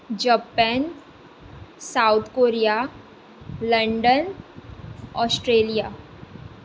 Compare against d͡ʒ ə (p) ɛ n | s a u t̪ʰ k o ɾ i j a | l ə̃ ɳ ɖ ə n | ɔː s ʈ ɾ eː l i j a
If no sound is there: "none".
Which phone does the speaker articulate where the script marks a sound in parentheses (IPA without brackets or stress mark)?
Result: p